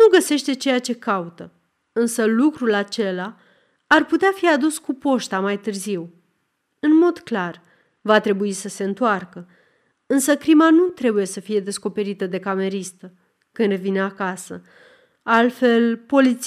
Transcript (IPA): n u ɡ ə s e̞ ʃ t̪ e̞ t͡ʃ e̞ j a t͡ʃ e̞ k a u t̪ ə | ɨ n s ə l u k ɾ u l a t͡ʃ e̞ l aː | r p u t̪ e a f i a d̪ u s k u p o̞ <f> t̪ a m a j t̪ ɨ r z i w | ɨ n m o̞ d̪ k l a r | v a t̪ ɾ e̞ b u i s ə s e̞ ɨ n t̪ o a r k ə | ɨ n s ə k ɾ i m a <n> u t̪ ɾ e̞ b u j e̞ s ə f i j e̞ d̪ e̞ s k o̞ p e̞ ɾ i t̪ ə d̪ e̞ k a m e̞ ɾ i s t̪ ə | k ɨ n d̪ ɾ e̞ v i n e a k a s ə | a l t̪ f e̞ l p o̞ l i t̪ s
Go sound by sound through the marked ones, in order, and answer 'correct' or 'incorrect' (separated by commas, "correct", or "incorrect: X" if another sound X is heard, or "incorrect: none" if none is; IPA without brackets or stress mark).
incorrect: ʃ, correct